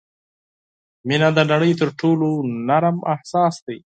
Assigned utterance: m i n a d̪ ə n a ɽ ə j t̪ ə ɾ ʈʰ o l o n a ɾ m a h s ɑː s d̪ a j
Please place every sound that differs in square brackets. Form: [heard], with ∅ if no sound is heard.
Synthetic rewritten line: m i n a d̪ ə n a ɽ ə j t̪ ə ɾ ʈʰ o l o n a ɾ m a h s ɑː s d̪ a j